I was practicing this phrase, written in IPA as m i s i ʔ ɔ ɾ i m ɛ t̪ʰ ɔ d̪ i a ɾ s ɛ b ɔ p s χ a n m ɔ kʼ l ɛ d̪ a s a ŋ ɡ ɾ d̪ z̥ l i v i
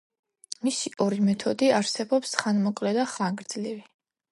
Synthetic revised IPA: m i s i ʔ ɔ ɾ i m ɛ t̪ʰ ɔ d̪ i a ɾ s ɛ b ɔ p s χ a n m ɔ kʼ l ɛ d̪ a χ a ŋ ɡ ɾ d̪ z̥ l i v i